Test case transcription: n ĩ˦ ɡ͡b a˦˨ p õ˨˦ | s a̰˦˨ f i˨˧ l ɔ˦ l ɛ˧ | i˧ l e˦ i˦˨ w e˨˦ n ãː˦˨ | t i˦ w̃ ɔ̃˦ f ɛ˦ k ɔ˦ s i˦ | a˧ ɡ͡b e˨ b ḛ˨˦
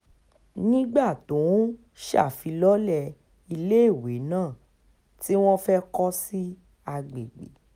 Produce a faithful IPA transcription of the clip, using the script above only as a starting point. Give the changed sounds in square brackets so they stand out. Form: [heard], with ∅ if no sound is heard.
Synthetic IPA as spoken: n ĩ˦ ɡ͡b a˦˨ [t] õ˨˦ | [ʃ] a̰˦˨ f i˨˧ l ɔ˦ l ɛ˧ | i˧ l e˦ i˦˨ w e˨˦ n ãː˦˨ | t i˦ w̃ ɔ̃˦ f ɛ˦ k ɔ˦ s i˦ | a˧ ɡ͡b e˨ [ɡ͡b] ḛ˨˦